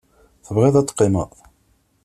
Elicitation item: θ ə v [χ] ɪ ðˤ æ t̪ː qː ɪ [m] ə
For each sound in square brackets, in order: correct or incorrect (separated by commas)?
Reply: incorrect, correct